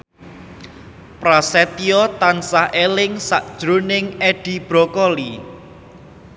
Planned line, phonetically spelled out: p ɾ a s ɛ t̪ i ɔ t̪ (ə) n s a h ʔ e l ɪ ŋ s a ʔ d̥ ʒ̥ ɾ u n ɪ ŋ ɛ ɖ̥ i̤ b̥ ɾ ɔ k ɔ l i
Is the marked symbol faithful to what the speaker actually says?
no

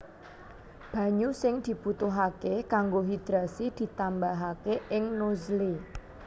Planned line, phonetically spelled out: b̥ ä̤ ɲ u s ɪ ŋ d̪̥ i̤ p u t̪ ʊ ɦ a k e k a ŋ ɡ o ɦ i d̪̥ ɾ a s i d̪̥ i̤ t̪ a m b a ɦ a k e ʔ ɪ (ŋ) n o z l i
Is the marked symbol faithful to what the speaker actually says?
yes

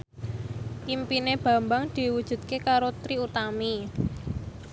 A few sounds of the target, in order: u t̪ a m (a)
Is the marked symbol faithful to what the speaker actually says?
no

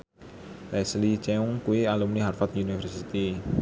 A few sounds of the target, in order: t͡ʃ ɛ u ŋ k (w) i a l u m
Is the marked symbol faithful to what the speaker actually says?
no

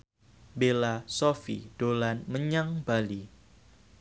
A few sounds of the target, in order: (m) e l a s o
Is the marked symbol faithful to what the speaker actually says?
no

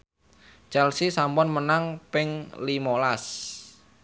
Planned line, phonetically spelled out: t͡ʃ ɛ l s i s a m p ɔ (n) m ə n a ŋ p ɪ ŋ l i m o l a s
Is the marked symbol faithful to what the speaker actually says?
yes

